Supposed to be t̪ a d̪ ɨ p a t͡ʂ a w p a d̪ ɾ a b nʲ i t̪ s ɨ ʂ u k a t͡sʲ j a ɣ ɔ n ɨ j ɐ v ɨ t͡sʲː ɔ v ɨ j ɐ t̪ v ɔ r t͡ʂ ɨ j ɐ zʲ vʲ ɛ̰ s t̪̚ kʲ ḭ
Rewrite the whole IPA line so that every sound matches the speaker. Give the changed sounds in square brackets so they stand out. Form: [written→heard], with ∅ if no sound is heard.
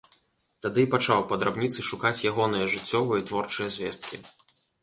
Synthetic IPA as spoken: t̪ a d̪ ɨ p a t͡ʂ a w p [a→ɐ] d̪ ɾ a b nʲ i t̪ s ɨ ʂ u k a t͡sʲ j a ɣ ɔ n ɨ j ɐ [v→ʐ] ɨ t͡sʲː ɔ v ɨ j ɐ t̪ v ɔ r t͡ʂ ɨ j ɐ zʲ vʲ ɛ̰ s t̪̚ kʲ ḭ